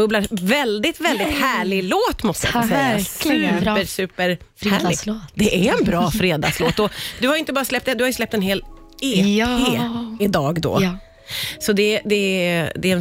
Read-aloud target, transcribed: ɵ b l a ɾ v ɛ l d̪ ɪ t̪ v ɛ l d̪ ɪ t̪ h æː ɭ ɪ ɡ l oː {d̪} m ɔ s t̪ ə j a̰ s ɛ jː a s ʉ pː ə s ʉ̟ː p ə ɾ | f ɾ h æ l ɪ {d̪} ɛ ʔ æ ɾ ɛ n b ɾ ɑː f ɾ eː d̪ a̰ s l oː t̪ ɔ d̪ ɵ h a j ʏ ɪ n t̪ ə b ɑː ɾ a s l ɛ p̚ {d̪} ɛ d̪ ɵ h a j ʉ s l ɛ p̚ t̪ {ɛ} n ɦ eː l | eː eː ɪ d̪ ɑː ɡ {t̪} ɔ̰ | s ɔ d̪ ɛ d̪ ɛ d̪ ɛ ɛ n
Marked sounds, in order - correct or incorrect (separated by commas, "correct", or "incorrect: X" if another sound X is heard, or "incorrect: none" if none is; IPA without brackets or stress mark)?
incorrect: t̪, correct, incorrect: t̪, correct, incorrect: d̪